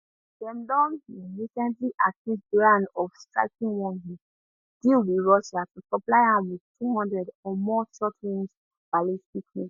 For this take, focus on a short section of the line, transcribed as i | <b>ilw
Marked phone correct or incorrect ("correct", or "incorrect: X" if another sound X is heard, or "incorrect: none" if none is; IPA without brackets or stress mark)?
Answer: incorrect: d